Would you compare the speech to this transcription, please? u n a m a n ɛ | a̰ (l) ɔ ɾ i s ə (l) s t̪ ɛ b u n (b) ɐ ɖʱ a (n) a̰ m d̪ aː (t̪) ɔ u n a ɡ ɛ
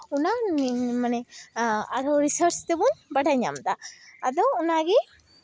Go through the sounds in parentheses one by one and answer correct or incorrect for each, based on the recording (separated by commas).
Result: incorrect, incorrect, correct, incorrect, incorrect